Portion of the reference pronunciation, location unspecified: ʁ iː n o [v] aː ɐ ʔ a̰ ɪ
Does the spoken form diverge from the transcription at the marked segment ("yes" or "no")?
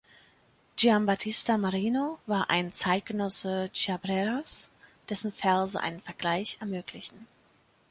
no